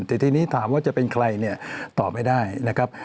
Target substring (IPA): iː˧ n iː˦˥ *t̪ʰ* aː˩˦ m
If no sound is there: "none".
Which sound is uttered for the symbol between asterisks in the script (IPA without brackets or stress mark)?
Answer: t̪ʰ